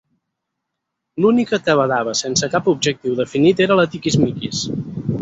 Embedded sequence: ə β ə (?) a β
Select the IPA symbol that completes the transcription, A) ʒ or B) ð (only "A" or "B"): B